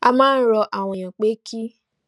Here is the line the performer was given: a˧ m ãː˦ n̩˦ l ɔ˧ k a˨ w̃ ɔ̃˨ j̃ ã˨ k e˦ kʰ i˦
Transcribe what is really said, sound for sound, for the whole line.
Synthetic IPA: a˧ m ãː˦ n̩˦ ɾ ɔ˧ ʔ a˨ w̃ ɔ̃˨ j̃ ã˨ k͡p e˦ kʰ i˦